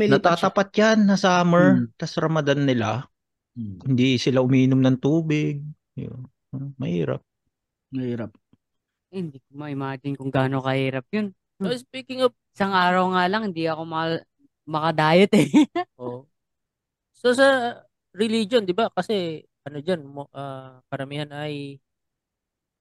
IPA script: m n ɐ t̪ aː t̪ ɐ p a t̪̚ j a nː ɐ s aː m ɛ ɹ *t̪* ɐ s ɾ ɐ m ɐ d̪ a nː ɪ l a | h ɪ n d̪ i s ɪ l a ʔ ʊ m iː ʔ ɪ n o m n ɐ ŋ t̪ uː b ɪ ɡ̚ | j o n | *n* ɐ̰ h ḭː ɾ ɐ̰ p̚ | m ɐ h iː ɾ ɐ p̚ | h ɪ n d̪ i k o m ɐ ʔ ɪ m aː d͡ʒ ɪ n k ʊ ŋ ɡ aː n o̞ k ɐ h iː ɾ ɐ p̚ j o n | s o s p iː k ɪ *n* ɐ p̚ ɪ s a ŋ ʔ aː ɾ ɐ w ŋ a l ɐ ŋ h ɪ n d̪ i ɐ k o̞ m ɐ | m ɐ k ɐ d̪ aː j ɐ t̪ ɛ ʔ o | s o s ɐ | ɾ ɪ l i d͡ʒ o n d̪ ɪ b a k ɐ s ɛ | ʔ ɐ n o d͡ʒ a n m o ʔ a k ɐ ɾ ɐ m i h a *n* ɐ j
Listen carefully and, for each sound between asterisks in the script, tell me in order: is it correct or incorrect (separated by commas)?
correct, incorrect, incorrect, correct